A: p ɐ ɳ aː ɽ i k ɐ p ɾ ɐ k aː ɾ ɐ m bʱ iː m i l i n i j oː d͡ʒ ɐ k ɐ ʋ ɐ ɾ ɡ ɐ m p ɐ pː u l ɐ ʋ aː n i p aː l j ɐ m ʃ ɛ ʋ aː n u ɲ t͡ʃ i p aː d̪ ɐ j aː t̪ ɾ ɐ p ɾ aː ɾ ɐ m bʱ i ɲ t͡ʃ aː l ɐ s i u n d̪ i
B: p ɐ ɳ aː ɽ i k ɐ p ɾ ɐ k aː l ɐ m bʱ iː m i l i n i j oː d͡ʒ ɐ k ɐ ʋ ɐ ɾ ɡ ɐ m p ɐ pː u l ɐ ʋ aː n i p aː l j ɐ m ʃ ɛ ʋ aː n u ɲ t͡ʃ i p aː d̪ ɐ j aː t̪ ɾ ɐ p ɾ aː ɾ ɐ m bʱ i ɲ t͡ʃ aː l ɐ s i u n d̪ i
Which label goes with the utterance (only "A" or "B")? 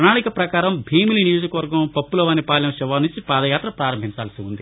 A